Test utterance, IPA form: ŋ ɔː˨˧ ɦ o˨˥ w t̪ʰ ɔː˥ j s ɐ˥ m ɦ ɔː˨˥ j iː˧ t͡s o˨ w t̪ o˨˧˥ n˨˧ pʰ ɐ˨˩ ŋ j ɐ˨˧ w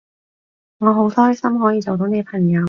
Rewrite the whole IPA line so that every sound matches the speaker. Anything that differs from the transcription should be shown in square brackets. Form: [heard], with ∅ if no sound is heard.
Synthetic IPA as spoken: ŋ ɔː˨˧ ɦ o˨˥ w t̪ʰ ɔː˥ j s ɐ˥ m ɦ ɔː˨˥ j iː˧ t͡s o˨ w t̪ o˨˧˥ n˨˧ pʰ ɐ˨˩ ŋ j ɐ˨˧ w